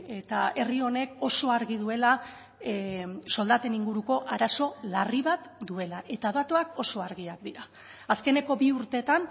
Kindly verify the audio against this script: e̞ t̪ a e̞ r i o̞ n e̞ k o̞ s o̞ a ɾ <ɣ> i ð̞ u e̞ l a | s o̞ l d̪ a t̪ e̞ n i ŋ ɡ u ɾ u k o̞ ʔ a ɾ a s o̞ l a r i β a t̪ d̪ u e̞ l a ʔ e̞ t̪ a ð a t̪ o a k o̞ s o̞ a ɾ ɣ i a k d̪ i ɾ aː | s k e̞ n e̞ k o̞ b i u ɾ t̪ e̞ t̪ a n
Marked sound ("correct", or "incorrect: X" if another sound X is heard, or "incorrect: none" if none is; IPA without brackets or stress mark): correct